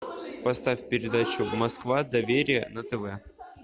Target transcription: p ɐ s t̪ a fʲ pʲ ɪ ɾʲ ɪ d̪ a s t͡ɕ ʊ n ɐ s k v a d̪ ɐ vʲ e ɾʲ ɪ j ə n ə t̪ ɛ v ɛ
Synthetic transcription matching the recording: p ɐ s t̪ a fʲ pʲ ɪ ɾʲ ɪ d̪ a t͡ɕ ʊ m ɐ s k v a d̪ ɐ vʲ e ɾʲ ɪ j ə n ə t̪ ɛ v ɛ